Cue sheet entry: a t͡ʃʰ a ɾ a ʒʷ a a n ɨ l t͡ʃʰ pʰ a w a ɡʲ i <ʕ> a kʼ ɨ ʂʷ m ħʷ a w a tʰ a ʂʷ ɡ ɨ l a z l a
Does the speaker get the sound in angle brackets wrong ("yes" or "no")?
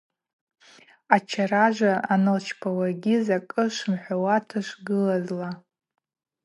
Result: yes